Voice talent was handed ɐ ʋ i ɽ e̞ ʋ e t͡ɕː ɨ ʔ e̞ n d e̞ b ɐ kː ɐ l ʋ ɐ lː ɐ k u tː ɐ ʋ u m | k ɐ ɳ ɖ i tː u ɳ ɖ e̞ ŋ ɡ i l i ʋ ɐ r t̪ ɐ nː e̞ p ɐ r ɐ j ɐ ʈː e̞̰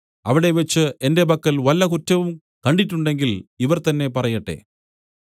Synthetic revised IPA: ɐ ʋ i ɽ e̞ ʋ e t͡ɕː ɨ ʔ e̞ n d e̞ b ɐ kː ɐ l ʋ ɐ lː ɐ k u tː ɐ ʋ u m | k ɐ ɳ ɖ i tː u ɳ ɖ e̞ ŋ ɡ i l i ʋ ɐ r t̪ ɐ nː e̞ p ɐ r ɐ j ɐ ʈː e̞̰